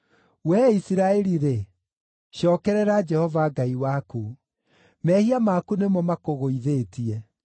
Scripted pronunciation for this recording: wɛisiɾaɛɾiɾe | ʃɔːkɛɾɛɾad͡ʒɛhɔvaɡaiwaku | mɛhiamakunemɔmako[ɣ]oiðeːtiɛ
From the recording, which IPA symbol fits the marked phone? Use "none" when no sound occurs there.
ɣ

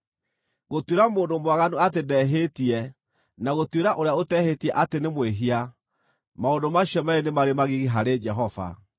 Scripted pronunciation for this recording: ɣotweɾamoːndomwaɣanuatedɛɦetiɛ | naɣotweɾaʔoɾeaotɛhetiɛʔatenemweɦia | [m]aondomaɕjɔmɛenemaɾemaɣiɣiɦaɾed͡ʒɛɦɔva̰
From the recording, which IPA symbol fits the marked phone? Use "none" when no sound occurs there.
m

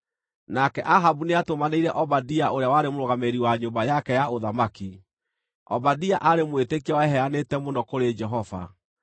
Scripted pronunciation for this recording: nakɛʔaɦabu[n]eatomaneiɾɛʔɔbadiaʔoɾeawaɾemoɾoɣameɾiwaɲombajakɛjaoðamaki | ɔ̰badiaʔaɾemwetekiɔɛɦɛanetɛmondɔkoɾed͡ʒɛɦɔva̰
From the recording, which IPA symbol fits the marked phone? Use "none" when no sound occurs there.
n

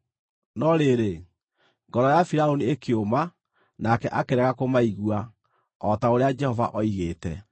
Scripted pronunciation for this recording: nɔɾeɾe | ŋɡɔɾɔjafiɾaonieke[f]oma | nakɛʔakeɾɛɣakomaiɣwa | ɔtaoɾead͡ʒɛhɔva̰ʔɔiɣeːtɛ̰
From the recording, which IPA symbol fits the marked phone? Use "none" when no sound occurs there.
none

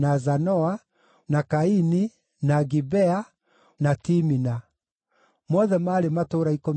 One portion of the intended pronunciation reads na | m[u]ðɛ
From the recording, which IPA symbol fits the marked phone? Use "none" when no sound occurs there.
ɔ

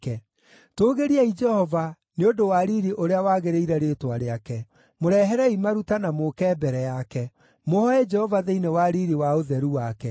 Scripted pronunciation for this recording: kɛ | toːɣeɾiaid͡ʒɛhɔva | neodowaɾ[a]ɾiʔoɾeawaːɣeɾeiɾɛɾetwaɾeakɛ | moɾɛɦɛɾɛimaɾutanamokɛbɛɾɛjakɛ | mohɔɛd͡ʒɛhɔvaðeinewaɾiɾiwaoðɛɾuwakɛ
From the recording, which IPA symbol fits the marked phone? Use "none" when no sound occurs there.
i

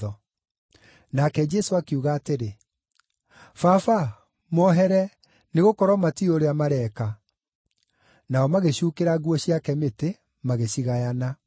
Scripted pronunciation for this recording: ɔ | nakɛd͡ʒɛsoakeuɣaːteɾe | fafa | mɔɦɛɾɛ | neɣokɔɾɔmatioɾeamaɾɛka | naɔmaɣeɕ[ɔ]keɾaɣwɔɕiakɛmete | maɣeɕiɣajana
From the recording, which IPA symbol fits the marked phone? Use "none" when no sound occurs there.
u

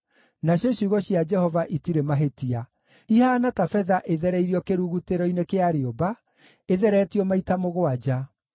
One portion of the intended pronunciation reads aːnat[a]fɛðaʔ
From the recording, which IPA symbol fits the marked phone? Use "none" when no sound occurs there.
a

